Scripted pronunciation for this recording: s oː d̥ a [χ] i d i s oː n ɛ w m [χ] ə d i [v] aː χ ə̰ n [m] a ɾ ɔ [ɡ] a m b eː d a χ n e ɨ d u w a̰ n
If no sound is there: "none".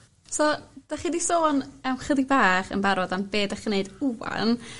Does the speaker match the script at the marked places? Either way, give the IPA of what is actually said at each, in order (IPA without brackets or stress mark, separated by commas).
χ, χ, b, b, d